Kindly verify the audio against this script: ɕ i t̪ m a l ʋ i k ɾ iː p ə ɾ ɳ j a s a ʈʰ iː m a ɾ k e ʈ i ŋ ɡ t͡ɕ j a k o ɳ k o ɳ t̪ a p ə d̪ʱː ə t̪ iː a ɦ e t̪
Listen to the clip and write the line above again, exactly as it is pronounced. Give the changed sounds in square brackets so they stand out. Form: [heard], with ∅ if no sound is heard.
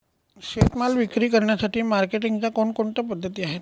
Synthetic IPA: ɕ [e] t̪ m a l ʋ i k ɾ iː [k] ə ɾ ɳ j a s a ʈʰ iː m a ɾ k e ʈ i ŋ ɡ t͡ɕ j a k o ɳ k o ɳ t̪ a p ə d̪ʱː ə t̪ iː a ɦ e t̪